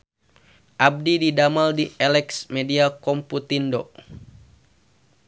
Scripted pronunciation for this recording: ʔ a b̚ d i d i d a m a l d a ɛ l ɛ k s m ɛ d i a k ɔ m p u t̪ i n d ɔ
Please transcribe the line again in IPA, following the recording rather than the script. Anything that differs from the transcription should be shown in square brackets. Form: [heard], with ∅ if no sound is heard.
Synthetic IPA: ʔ a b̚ d i d i d a m a l d [i] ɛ l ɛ k s m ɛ d i a k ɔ m p u t̪ i n d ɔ